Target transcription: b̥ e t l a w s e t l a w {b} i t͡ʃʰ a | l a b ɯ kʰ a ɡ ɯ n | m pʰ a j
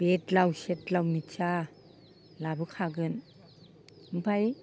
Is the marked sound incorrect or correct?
incorrect